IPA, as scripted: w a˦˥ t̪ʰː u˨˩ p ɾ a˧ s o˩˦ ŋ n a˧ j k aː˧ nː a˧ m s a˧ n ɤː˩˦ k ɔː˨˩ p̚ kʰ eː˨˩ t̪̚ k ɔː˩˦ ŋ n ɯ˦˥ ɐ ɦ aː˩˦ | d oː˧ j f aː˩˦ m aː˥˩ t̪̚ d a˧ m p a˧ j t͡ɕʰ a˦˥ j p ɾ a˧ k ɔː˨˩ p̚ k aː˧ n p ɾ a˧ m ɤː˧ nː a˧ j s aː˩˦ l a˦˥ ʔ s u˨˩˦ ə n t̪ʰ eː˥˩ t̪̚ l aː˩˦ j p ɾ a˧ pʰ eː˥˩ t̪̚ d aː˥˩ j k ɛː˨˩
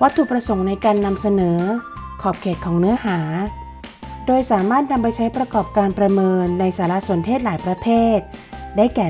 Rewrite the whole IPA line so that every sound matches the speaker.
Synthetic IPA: w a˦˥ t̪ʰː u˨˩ p ɾ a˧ s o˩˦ ŋ n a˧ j k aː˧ nː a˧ m s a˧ n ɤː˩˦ kʰ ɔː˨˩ p̚ kʰ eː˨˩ t̪̚ kʰ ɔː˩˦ ŋ n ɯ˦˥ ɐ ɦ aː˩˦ | d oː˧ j s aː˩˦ m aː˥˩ t̪̚ n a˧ m p a˧ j t͡ɕʰ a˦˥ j p ɾ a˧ k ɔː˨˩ p̚ k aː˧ n p ɾ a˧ m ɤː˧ nː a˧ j s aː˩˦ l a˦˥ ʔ s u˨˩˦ ə n t̪ʰ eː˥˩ t̪̚ l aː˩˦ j p ɾ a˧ pʰ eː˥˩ t̪̚ d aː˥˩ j k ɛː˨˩